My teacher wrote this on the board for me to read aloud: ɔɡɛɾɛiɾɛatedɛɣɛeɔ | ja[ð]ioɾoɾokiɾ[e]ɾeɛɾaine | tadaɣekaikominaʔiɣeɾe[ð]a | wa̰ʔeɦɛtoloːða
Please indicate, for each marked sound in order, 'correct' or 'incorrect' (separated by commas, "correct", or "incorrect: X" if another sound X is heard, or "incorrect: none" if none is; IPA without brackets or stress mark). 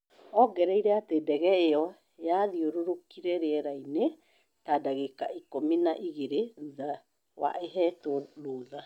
correct, incorrect: ɛ, correct